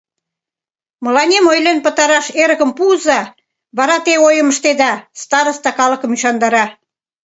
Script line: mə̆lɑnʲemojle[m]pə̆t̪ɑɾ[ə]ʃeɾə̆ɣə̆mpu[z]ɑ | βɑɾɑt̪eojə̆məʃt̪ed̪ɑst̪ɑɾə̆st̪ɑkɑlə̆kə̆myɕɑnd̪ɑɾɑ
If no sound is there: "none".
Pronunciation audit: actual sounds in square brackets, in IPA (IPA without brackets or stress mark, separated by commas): n, ɑ, z